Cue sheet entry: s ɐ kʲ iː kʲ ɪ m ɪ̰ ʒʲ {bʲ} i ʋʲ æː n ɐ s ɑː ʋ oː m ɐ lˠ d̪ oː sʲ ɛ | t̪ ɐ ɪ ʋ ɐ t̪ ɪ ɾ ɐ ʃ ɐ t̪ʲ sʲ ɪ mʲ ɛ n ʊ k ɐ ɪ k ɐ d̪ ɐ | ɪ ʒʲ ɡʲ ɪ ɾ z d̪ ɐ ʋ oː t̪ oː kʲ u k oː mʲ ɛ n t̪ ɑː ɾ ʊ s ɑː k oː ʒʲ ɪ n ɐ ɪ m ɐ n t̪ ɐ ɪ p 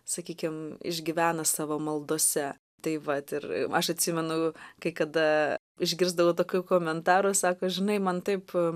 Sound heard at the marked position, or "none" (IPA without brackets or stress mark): ɡʲ